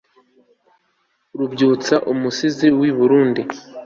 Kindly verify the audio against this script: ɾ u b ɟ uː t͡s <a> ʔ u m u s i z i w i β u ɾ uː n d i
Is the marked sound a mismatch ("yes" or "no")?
no